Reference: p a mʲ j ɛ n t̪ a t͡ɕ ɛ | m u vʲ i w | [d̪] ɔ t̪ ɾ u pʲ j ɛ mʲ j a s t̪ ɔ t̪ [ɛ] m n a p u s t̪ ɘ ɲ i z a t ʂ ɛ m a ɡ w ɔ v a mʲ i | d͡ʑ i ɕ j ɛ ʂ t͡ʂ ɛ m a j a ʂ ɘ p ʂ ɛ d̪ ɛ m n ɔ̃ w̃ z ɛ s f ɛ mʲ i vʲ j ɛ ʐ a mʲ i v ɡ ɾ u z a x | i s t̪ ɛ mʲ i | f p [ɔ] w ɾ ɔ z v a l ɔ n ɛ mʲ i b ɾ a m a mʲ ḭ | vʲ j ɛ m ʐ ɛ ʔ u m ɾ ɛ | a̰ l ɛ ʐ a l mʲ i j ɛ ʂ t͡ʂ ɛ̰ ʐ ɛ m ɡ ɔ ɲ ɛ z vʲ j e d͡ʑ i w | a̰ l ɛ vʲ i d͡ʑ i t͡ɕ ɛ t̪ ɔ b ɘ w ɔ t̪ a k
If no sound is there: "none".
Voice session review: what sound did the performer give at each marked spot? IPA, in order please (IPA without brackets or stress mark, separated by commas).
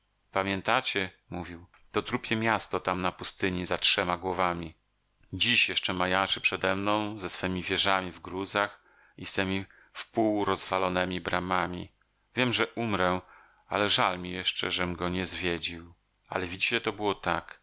t̪, a, u